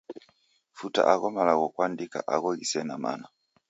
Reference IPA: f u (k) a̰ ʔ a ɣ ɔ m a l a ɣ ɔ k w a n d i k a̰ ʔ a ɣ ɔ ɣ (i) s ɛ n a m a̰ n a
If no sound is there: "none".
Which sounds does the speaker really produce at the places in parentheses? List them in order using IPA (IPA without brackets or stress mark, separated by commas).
t, i